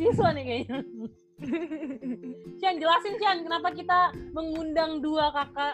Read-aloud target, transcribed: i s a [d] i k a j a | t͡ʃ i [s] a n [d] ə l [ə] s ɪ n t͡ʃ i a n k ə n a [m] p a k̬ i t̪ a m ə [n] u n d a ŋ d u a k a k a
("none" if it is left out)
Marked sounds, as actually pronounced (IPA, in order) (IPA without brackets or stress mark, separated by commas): n, none, d͡ʒ, a, none, ŋ